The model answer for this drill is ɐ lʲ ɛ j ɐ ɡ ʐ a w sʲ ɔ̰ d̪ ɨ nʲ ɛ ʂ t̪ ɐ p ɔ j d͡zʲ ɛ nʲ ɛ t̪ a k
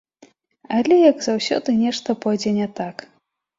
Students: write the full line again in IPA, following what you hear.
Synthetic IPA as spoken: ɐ lʲ ɛ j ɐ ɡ z a w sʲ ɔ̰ d̪ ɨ nʲ ɛ ʂ t̪ ɐ p ɔ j d͡zʲ ɛ nʲ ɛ t̪ a k